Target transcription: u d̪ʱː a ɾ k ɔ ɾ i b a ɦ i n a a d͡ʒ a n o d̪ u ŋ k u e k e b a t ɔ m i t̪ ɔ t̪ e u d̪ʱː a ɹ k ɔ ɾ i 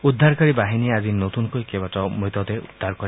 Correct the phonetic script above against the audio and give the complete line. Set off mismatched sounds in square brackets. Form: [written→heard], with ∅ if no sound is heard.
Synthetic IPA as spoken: u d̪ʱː a ɾ k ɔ ɾ i b a ɦ i n [a→i] a d͡ʒ [a→i] n o [d̪→t̪] u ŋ k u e k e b a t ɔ m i t̪ ɔ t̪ e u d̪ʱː a [ɹ→ɾ] k ɔ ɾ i

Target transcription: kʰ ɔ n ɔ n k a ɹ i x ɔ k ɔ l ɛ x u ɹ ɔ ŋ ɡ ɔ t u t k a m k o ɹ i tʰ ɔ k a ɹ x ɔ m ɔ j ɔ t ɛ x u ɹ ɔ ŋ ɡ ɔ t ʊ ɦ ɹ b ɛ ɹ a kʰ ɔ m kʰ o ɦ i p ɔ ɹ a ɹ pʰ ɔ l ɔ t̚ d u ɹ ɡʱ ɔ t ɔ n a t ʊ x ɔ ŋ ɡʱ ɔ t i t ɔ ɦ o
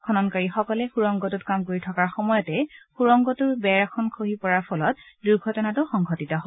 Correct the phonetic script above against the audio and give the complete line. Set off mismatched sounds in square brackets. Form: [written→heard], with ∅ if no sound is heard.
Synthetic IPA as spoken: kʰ ɔ n ɔ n k a ɹ i x ɔ k ɔ l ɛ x u ɹ ɔ ŋ ɡ ɔ t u t k a m k o ɹ i tʰ ɔ k a ɹ x ɔ m ɔ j ɔ t ɛ x u ɹ ɔ ŋ ɡ ɔ t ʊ [ɦ→∅] ɹ b ɛ ɹ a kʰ ɔ [m→n] kʰ o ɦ i p ɔ ɹ a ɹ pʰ ɔ l ɔ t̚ d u ɹ ɡʱ ɔ t ɔ n a t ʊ x ɔ ŋ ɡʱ ɔ t i t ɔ ɦ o

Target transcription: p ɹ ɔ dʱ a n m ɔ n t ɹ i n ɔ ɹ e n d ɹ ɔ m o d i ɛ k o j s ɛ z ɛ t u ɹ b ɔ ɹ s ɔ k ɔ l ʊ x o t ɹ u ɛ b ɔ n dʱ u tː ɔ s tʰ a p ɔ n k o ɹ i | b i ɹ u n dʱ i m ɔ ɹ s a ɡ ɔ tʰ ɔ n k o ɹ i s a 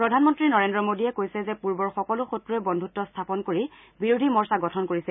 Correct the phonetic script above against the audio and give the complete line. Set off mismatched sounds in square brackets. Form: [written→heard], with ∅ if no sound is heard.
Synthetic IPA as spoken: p ɹ ɔ dʱ a n m ɔ n t ɹ i n ɔ ɹ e n d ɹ ɔ m o d i ɛ k o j s ɛ z ɛ [t→p] u ɹ b ɔ ɹ [s→x] ɔ k ɔ l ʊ x o t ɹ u ɛ b ɔ n dʱ u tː ɔ s tʰ a p ɔ n k o ɹ i | b i ɹ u [n→∅] dʱ i m ɔ ɹ s a ɡ ɔ tʰ ɔ n k o ɹ i s [a→ɛ]

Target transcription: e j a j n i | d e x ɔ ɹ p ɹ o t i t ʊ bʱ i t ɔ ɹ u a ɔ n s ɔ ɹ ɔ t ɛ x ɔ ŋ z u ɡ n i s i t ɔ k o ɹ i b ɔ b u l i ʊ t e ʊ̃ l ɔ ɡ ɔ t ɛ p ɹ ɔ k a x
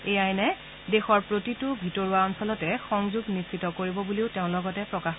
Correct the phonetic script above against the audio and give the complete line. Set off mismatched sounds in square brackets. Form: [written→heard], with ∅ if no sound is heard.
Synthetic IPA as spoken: e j a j n [i→ɛ] | d e x ɔ ɹ p ɹ o t i t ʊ bʱ i t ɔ ɹ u a ɔ n s ɔ [ɹ→l] ɔ t ɛ x ɔ ŋ z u ɡ n i s i t ɔ k o ɹ i b ɔ b u l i ʊ t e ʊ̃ l ɔ ɡ ɔ t ɛ p ɹ ɔ k a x

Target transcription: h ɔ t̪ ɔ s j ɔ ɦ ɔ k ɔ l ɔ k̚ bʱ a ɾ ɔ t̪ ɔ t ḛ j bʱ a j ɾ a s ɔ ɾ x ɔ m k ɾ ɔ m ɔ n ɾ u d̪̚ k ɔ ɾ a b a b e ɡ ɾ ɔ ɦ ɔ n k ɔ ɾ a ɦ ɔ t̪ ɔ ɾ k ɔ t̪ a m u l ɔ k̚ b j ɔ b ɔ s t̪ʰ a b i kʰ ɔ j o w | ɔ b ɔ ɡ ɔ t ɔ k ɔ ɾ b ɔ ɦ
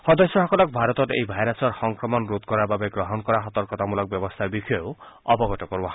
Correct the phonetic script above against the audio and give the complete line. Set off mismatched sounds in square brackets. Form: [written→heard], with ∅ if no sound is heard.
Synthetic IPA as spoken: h ɔ [t̪→d̪] ɔ s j ɔ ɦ ɔ k ɔ l ɔ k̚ bʱ a ɾ ɔ t̪ ɔ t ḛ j bʱ a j ɾ a s ɔ ɾ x ɔ [m→ŋ] k ɾ ɔ m ɔ n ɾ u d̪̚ k ɔ ɾ a b a b e ɡ ɾ ɔ ɦ ɔ n k ɔ ɾ a ɦ ɔ t̪ ɔ ɾ k ɔ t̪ a m u l ɔ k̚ b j ɔ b ɔ s t̪ʰ a b i kʰ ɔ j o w | ɔ b ɔ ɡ ɔ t ɔ k ɔ ɾ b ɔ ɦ

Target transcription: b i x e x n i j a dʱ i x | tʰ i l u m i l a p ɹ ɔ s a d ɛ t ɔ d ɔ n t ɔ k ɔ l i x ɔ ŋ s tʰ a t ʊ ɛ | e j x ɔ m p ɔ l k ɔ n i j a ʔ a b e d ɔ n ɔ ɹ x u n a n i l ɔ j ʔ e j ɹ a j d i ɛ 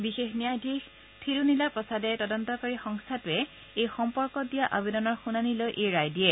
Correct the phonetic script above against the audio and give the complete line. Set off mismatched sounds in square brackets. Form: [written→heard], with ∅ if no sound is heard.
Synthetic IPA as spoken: b i x e x n i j a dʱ i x | tʰ i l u [m→n] i l a p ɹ ɔ s a d ɛ t ɔ d ɔ n t ɔ k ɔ [l→ɹ] i x ɔ ŋ s tʰ a t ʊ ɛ | e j x ɔ m p ɔ [l→ɹ] k ɔ [n→d] i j a ʔ a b e d ɔ n ɔ ɹ x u n a n i l [ɔ→o] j ʔ e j ɹ a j d i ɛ

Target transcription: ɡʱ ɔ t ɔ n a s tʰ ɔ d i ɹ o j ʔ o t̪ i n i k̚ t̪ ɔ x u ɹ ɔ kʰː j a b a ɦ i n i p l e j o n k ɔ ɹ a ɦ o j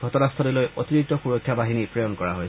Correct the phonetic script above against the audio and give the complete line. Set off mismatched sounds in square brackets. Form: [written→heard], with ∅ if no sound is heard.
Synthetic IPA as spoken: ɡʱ ɔ t ɔ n a s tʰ ɔ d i [ɹ→l] o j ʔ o t̪ i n i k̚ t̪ ɔ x u ɹ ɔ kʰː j a b a ɦ i n i p [l→ɹ] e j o n k ɔ ɹ a ɦ o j

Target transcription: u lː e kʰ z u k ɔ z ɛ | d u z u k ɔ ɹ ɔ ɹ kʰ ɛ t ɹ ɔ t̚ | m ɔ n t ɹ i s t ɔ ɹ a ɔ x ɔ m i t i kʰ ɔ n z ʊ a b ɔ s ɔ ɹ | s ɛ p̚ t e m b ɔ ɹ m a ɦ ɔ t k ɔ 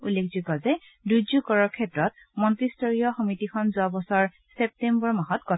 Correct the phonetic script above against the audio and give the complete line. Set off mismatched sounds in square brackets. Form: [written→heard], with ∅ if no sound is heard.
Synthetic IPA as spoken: u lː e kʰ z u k ɔ z ɛ | d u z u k ɔ ɹ ɔ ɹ kʰ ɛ t ɹ ɔ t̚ | m ɔ n t ɹ i s t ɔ ɹ [a→i] ɔ x ɔ m i t i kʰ ɔ n z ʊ a b ɔ s ɔ ɹ | s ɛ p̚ t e m b ɔ ɹ m a ɦ ɔ t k ɔ

